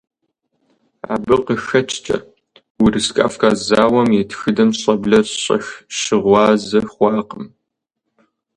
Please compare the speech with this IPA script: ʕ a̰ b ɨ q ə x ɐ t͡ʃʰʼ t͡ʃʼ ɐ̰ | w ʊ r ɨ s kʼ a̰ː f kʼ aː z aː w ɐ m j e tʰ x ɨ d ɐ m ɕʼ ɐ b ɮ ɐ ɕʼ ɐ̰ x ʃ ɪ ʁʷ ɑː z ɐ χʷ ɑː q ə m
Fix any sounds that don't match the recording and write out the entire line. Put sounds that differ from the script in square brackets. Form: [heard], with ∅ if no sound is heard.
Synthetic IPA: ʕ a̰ b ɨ q ə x ɐ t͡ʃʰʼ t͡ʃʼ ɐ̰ | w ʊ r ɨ s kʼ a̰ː f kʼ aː z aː w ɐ m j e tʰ x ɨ d ɐ m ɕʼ ɐ b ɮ ɐ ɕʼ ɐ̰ x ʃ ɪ ʁʷ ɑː z ɐ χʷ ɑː q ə m